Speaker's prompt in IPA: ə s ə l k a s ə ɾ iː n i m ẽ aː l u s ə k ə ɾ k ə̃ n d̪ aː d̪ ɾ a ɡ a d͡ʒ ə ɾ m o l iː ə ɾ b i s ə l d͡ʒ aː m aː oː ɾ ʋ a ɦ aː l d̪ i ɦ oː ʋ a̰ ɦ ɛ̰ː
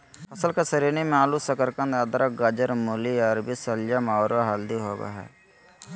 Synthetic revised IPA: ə s ə l k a s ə ɾ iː n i m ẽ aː l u s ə k ə ɾ k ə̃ n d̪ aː d̪ ɾ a ɡ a d͡ʒ ə ɾ m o l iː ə ɾ b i s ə l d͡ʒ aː m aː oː ɾ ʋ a ɦ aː l d̪ i ɦ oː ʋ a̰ ɦ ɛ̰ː